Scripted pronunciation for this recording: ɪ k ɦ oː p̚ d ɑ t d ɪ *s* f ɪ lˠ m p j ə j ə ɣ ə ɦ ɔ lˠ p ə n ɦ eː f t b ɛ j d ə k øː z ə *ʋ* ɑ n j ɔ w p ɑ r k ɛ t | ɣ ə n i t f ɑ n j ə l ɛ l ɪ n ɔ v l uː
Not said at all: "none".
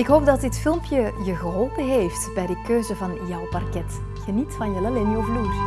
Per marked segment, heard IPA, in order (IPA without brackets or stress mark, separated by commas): t, v